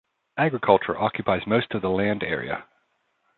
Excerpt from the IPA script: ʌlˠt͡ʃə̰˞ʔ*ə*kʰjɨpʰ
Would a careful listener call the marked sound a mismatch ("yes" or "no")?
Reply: yes